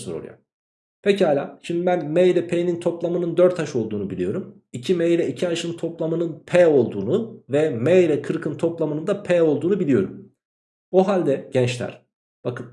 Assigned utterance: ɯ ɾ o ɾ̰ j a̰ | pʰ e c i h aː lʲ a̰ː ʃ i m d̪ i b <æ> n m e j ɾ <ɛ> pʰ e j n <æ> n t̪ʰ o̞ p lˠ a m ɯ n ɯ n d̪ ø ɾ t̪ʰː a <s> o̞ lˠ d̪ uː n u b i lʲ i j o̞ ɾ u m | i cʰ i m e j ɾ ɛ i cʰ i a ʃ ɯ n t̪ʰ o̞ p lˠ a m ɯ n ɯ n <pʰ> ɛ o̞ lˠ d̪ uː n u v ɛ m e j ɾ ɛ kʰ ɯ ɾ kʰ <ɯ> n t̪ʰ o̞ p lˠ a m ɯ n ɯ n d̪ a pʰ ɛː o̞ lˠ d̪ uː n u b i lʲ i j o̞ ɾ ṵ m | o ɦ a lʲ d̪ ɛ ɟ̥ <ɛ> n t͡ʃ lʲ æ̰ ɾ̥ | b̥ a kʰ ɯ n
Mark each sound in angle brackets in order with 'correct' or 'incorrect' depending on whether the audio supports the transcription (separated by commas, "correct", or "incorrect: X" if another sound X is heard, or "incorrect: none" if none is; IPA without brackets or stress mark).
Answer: correct, correct, incorrect: i, incorrect: ʃ, correct, correct, correct